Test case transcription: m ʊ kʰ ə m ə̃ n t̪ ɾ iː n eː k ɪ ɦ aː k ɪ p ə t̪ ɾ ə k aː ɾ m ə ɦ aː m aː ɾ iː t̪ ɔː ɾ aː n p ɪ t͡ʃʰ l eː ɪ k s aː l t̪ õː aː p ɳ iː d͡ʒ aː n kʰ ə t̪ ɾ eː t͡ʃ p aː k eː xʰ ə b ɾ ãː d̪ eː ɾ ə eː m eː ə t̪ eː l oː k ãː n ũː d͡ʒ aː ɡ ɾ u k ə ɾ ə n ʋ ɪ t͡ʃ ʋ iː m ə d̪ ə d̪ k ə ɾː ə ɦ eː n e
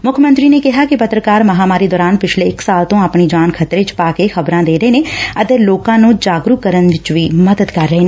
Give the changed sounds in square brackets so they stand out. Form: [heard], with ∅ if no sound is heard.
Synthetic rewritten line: m ʊ kʰ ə m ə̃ n t̪ ɾ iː n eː k ɪ ɦ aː k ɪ p ə t̪ ɾ ə k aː ɾ m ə ɦ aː m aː ɾ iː [d̪] ɔː ɾ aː n p ɪ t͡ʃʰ l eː ɪ k s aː l t̪ õː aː p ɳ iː d͡ʒ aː n kʰ ə t̪ ɾ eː t͡ʃ p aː k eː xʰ ə b ɾ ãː d̪ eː ɾ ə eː [n] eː ə t̪ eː l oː k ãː n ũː d͡ʒ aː ɡ ɾ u k ə ɾ ə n ʋ ɪ t͡ʃ ʋ iː m ə d̪ ə d̪ k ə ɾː ə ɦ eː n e